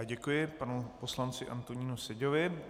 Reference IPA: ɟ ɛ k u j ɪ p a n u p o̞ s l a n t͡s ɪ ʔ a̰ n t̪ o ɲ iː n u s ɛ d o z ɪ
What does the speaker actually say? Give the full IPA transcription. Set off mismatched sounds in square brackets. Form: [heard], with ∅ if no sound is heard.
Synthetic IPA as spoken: ɟ ɛ k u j ɪ p a n u p o̞ s l a n t͡s ɪ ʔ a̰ n t̪ o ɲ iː n u s ɛ [ɟ] o [v] ɪ